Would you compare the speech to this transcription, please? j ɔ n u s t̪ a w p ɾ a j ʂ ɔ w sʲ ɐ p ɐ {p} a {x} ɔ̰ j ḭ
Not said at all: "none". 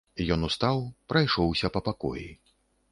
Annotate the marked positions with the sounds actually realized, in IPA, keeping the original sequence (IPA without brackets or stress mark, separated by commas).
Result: p, k